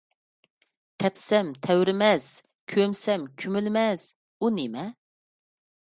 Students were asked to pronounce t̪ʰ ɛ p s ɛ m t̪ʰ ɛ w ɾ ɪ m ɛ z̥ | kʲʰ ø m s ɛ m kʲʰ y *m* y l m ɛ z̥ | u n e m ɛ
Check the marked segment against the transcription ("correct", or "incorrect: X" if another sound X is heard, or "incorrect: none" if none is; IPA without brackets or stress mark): correct